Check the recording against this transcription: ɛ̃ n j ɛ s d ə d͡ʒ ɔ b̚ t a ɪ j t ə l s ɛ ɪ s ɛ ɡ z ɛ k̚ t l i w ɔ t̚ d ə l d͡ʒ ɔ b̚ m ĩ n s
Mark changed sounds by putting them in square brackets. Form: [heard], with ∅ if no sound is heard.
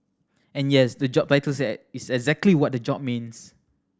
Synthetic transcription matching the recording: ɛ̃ n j ɛ s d ə d͡ʒ ɔ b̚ t a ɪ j t ə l s ɛ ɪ s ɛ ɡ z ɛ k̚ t l i w ɔ t̚ d ə [∅] d͡ʒ ɔ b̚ m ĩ n s